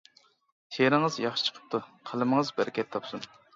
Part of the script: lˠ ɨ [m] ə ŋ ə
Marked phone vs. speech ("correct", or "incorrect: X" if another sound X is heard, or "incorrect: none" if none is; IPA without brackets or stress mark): correct